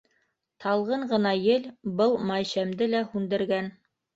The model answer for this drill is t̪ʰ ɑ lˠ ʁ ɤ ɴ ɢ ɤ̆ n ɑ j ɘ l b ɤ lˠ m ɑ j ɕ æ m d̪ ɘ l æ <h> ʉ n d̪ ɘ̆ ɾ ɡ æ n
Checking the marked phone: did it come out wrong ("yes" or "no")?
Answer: no